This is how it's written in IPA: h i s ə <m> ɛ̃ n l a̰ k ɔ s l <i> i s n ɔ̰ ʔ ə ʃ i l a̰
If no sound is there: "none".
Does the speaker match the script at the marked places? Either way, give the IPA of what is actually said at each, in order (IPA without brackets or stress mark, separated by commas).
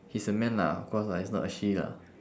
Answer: m, a